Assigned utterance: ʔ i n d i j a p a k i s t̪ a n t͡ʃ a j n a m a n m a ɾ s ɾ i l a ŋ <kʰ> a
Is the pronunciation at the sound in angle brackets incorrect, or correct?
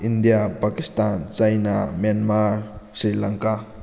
incorrect